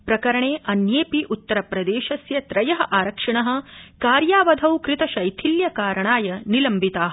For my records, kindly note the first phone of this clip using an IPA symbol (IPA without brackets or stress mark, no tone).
p